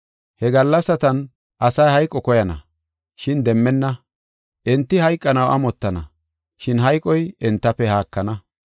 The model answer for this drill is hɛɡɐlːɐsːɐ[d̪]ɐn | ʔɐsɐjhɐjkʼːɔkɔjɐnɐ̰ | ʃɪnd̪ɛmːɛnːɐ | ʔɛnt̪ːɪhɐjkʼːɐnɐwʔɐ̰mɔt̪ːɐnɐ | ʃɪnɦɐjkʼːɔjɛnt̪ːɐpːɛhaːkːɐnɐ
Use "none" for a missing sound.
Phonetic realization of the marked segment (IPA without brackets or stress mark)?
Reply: t̪